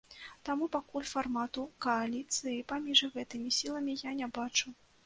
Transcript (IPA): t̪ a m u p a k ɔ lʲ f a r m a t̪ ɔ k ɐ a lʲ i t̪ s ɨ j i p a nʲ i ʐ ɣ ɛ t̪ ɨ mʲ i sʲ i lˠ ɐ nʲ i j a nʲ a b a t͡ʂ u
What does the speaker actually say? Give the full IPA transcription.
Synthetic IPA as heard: t̪ a m u p a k u lʲ f a r m a t̪ u k ɐ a lʲ i t̪ s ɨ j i p a mʲ i ʐ ɣ ɛ t̪ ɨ mʲ i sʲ i lˠ ɐ mʲ i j a nʲ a b a t͡ʂ u